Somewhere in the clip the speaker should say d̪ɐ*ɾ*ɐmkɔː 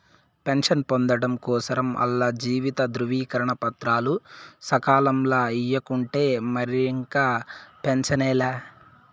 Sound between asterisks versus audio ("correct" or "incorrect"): incorrect